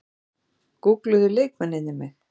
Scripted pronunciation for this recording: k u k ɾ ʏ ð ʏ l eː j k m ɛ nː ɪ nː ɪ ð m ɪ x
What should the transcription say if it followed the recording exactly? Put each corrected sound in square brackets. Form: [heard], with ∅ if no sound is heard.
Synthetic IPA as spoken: k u k [l] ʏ ð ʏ l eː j k m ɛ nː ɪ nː ɪ [∅] m ɪ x